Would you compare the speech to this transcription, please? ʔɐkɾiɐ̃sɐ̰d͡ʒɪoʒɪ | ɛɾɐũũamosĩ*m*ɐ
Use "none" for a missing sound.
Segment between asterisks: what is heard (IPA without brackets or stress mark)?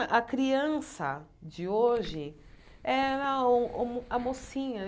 ɲ